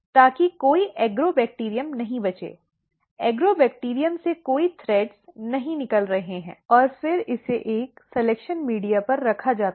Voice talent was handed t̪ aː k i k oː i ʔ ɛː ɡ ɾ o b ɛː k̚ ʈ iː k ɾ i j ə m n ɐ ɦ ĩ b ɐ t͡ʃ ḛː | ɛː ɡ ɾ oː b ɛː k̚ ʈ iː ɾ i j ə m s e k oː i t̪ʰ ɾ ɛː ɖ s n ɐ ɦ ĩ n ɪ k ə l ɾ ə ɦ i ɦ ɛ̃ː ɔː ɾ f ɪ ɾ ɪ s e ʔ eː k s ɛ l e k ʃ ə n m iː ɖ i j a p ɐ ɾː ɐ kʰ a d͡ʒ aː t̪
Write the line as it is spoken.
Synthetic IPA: t̪ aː k i k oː i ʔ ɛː ɡ ɾ o b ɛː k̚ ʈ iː ɾ i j ə m n ɐ ɦ ĩ b ɐ t͡ʃ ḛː | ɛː ɡ ɾ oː b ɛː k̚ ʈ iː ɾ i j ə m s e k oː i t̪ʰ ɾ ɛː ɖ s n ɐ ɦ ĩ n ɪ k ə l ɾ ɐ ɦ e ɦ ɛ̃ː ɔː ɾ f ɪ ɾ ɪ s e ʔ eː k s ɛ l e k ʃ ə n m iː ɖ i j a p ɐ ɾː ɐ kʰ a d͡ʒ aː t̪

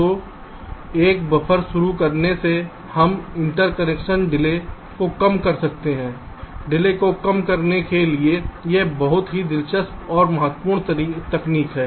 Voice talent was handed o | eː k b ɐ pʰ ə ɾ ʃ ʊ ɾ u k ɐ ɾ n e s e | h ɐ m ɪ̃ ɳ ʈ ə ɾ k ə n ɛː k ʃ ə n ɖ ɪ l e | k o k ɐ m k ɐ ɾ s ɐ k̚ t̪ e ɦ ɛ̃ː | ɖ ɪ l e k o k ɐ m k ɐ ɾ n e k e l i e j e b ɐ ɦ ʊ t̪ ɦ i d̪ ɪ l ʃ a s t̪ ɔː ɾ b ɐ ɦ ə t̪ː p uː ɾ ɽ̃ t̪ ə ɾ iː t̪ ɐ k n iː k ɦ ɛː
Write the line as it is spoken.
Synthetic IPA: o | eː k b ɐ pʰ ə ɾ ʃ ʊ ɾ u k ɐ ɾ n e s e | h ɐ m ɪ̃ ɳ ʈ ə ɾ k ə n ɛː k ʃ ə n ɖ ɪ l e | k o k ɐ m k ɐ ɾ s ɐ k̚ t̪ e ɦ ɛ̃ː | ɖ ɪ l e k o k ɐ m k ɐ ɾ n e k e l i e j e b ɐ ɦ ʊ t̪ ɦ i d̪ ɪ l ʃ ə s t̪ ɔː ɾ m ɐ ɦ ə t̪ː p uː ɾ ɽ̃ t̪ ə ɾ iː t̪ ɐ k n iː k ɦ ɛː

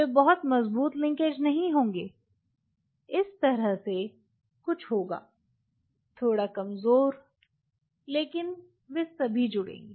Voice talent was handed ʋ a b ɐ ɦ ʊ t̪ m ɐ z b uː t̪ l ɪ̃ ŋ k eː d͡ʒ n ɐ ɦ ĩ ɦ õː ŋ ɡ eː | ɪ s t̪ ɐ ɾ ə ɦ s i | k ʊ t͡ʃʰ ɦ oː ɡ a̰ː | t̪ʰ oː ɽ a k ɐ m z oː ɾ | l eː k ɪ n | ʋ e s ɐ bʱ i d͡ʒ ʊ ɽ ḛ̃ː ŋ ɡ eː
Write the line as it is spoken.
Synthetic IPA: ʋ e b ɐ ɦ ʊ t̪ m ɐ z b uː t̪ l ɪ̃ ŋ k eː d͡ʒ n ɐ ɦ ĩ ɦ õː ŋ ɡ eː | ɪ s t̪ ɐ ɾ ə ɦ s e | k ʊ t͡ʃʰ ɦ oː ɡ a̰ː | t̪ʰ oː ɽ a k ɐ m z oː ɾ | l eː k ɪ n | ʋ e s ɐ bʱ i d͡ʒ ʊ ɽ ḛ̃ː ŋ ɡ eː

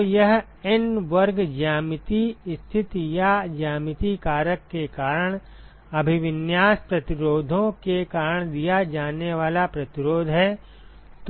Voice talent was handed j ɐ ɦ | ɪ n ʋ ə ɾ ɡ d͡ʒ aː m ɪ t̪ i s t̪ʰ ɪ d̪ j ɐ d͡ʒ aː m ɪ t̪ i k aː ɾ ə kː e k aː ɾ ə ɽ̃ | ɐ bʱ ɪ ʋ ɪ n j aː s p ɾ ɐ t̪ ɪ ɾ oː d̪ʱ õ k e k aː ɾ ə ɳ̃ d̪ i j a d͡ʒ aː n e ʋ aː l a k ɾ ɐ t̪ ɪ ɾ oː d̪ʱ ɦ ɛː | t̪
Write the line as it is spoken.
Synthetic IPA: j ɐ ɦ | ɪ n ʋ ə ɾ ɡ d͡ʒ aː m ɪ t̪ i s t̪ʰ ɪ t̪ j a d͡ʒ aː m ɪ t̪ i k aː ɾ ə kː e k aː ɾ ə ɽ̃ | ɐ bʱ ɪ ʋ ɪ n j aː s p ɾ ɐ t̪ ɪ ɾ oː d̪ʱ õ k e k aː ɾ ə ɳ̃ d̪ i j a d͡ʒ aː n e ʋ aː l a p ɾ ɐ t̪ ɪ ɾ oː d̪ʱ ɦ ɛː | t̪

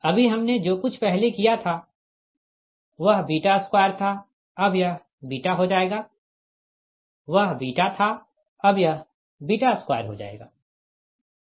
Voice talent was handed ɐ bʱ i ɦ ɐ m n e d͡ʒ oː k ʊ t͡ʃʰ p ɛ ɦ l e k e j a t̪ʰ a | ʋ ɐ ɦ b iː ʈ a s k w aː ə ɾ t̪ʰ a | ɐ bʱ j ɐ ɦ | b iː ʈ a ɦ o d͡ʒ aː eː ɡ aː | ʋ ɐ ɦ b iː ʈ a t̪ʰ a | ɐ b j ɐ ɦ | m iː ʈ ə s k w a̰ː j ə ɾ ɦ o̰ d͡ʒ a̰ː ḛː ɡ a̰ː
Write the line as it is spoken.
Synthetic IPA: ɐ bʱ i ɦ ɐ m n e d͡ʒ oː k ʊ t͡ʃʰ p ɛ ɦ l e k i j a t̪ʰ a | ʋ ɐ ɦ b iː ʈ a s k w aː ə ɾ t̪ʰ a | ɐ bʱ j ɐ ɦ | b iː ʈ a ɦ o d͡ʒ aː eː ɡ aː | ʋ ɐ ɦ b iː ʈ a t̪ʰ a | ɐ b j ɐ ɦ | b iː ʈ a s k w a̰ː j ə ɾ ɦ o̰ d͡ʒ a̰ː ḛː ɡ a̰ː

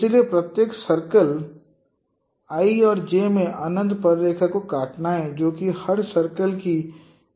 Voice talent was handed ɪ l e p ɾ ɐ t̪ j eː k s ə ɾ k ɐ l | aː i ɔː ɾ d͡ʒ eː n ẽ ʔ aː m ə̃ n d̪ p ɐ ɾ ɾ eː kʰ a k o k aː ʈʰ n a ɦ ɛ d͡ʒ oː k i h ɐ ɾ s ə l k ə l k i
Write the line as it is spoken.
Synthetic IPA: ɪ l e p ɾ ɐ t̪ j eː k s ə ɾ k ə l | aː i ɔː ɾ d͡ʒ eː m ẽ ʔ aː n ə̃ n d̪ p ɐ ɾ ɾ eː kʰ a k o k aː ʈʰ n a ɦ ɛ d͡ʒ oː k i h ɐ ɾ s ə ɾ k ə l k i

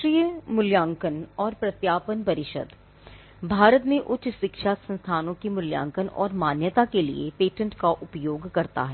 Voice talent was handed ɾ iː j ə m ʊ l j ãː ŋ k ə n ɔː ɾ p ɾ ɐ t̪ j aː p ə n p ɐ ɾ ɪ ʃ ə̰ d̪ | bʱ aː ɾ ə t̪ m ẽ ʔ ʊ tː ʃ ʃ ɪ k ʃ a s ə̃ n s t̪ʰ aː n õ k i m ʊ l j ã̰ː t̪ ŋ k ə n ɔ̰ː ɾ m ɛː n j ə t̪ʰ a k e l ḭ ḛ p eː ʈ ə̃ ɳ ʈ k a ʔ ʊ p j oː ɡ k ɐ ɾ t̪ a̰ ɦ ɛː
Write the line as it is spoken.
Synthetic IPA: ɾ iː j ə m ʊ l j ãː ŋ k ə n ɔː ɾ p ɾ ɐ t̪ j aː p ə n p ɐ ɾ ɪ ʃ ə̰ d̪ | bʱ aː ɾ ə t̪ m ẽ ʔ ʊ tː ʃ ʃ ɪ k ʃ a s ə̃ n s t̪ʰ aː n õ k i m ʊ l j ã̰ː ŋ k ə n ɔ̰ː ɾ m aː n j ə t̪ a k e l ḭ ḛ p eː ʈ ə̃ ɳ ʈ k a ʔ ʊ p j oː ɡ k ɐ ɾ t̪ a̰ ɦ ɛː

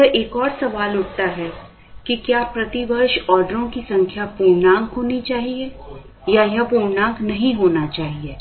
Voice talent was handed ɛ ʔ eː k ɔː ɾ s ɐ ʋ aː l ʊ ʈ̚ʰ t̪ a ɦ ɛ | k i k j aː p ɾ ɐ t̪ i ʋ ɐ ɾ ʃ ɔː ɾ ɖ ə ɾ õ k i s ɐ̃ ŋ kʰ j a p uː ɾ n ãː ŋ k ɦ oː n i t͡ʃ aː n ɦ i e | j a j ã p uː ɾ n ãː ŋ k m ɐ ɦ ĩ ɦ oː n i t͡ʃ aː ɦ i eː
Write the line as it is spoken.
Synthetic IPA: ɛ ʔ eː k ɔː ɾ s ɐ ʋ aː l ʊ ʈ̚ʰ t̪ a ɦ ɛ | k i k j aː p ɾ ɐ t̪ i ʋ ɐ ɾ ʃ ɔː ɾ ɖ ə ɾ õ k i s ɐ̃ ŋ kʰ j a p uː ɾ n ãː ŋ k ɦ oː n i t͡ʃ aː ɦ i e | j a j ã p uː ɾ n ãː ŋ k n ɐ ɦ ĩ ɦ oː n a t͡ʃ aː ɦ i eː

